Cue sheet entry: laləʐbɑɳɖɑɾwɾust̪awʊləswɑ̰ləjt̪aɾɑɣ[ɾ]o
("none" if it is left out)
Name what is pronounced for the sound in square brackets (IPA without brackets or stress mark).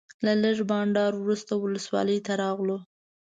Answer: l